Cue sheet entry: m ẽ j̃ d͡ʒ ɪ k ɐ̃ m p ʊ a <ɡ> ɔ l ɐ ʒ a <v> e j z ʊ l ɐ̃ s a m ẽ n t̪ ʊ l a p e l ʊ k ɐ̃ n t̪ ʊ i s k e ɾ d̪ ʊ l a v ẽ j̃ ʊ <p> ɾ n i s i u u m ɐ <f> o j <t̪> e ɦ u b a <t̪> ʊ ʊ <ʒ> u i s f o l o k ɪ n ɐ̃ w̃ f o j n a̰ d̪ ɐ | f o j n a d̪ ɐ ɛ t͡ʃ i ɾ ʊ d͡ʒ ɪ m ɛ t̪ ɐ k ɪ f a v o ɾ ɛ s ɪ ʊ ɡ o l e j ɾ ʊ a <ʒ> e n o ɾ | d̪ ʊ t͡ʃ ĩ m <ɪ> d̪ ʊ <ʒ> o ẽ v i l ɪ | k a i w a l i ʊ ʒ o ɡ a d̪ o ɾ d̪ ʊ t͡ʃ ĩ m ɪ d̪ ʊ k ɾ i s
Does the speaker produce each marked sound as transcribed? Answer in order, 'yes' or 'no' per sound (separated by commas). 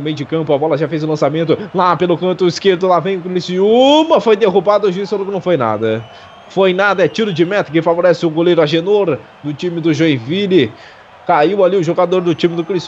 no, no, no, yes, no, no, yes, yes, yes, yes